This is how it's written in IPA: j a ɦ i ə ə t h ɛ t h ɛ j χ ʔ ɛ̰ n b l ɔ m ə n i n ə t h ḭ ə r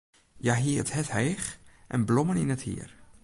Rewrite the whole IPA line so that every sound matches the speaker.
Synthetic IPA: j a ɦ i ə ə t h ɛ t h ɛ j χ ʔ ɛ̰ n b l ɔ m ə n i n ə t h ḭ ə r